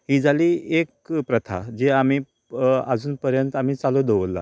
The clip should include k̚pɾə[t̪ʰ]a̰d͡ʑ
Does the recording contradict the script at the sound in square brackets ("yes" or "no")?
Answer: no